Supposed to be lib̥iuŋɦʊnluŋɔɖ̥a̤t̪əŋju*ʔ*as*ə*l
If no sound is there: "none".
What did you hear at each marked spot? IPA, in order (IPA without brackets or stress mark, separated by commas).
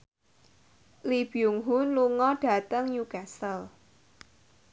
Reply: k, ə